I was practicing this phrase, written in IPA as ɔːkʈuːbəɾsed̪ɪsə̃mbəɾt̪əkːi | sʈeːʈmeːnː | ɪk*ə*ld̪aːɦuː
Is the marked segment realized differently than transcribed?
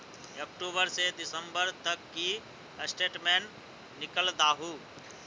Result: no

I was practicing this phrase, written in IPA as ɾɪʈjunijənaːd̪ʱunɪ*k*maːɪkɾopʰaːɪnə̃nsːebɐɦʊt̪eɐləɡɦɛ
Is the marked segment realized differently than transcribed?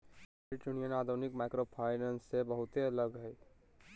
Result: no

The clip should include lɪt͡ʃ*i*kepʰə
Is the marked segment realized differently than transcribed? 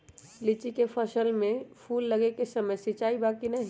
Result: no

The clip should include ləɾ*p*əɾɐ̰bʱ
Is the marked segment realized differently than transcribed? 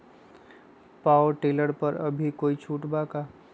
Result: no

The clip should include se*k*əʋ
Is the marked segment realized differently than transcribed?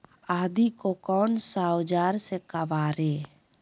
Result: no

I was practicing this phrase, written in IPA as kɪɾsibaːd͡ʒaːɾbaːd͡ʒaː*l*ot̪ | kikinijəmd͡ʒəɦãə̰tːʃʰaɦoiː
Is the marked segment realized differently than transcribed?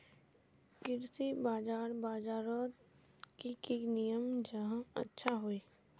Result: yes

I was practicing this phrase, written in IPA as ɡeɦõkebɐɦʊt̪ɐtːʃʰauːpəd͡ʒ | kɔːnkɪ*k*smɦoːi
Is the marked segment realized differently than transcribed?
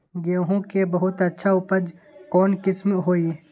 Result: yes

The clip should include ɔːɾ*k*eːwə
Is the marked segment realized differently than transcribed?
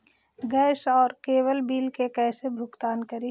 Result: no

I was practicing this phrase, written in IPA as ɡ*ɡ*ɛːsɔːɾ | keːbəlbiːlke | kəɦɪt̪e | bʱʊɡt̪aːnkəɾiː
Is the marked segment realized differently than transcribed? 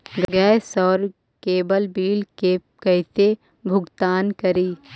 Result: no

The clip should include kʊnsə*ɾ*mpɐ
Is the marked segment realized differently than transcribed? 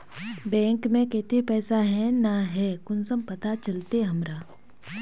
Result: yes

